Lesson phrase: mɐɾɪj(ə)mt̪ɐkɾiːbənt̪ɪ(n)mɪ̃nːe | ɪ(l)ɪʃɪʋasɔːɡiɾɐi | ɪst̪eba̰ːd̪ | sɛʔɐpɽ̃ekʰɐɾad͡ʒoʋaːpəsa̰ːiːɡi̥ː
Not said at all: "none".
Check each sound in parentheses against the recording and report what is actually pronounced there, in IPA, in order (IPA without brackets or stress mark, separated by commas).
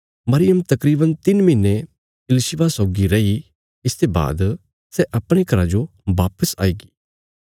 ə, n, l